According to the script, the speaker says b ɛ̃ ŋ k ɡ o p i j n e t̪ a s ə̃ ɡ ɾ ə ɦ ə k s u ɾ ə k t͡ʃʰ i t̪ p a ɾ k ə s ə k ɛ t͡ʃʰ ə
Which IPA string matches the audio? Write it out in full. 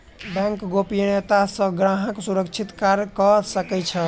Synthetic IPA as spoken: b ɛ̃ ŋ k ɡ o p i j n e t̪ a s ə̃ ɡ ɾ a ɦ ə k s u ɾ ə k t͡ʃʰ i t̪ k a ɾ k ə s ə k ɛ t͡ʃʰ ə